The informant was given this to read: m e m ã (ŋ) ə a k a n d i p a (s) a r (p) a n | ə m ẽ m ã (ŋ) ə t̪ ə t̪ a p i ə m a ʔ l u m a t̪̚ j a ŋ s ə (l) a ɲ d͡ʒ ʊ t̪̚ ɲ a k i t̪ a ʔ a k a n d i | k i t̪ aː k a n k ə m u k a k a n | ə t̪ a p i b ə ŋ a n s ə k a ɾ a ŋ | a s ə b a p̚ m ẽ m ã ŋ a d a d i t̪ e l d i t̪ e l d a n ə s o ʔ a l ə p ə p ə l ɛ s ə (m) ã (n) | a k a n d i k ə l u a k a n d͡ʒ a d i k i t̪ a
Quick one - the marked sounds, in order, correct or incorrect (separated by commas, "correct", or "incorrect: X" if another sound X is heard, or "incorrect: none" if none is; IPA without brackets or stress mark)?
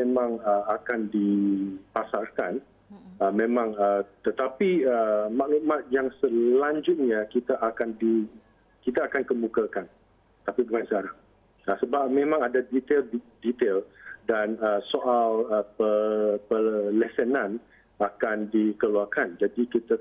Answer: correct, correct, incorrect: k, correct, correct, incorrect: n, correct